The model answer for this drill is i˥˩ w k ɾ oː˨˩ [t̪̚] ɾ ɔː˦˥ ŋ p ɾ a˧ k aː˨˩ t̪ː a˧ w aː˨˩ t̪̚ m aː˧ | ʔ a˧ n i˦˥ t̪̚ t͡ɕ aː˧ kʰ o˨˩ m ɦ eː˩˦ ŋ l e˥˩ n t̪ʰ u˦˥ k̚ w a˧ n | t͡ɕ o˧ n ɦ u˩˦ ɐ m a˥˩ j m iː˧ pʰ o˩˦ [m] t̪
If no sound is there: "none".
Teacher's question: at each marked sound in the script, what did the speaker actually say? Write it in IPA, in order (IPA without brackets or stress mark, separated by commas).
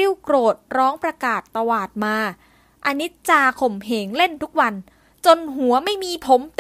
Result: t̪̚, m